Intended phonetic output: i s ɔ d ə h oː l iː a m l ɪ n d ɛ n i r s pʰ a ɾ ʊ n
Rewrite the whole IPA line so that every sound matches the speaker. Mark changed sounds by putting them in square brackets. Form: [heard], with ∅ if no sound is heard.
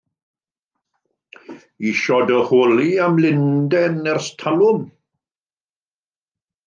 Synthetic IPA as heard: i [ʃ] ɔ d ə h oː l [i] a m l ɪ n d ɛ n [ɛ] r s [tʰ] a [l] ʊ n